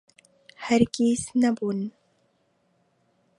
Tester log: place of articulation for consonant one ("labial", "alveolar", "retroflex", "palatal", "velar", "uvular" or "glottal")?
glottal